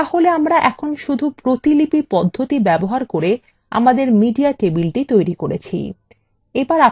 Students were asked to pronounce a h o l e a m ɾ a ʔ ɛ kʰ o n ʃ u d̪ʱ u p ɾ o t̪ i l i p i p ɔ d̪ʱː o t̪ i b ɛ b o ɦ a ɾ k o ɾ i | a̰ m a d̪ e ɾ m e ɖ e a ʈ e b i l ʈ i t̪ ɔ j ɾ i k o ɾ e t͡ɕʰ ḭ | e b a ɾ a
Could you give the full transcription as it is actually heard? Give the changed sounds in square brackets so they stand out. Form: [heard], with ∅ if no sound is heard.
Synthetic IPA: a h o l e a m ɾ a ʔ ɛ kʰ o n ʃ u d̪ʱ u p ɾ o t̪ i l i p i p ɔ d̪ʱː o t̪ i b ɛ b o ɦ a ɾ k o ɾ [e] | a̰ m a d̪ e ɾ m [i] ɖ [i] a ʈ e b i l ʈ i t̪ [o] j ɾ i k o ɾ e t͡ɕʰ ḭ | e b a ɾ a